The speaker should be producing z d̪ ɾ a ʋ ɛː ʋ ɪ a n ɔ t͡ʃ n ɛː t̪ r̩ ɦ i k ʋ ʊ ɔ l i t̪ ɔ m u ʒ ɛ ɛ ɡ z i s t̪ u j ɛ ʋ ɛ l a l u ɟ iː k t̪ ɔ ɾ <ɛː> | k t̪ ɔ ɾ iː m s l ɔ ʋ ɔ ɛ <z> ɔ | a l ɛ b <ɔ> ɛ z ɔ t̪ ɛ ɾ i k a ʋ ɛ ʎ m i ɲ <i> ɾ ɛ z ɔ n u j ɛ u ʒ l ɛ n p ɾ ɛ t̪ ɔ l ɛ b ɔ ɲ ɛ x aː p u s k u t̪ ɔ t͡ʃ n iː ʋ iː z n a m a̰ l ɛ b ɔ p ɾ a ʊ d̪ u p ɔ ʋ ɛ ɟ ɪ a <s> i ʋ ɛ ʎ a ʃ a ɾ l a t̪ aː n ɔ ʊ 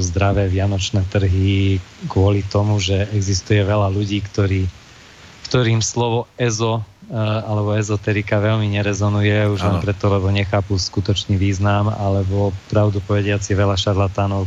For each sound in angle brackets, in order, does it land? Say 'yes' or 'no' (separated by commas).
no, yes, yes, no, no